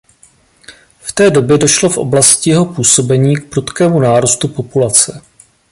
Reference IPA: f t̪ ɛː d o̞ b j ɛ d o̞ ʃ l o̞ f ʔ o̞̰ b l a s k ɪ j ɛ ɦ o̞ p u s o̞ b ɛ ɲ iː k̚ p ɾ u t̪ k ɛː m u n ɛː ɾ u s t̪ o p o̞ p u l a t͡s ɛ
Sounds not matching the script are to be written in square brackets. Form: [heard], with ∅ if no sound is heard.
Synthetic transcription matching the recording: f t̪ ɛː d o̞ b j ɛ d o̞ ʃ l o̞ f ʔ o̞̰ b l a s [c] ɪ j ɛ ɦ o̞ p [uː] s o̞ b ɛ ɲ iː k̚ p ɾ u t̪ k ɛː m u n [aː] ɾ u s t̪ [u] p o̞ p u l a t͡s ɛ